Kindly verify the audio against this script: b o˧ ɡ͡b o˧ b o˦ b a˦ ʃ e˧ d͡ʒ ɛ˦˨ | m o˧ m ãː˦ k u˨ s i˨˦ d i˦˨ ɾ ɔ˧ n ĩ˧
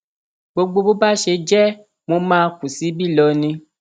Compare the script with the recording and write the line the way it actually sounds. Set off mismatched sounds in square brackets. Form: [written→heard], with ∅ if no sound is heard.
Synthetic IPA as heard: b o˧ ɡ͡b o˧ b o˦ b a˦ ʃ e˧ d͡ʒ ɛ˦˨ | m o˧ m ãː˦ k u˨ s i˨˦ [d→b] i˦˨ [ɾ→l] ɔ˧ n ĩ˧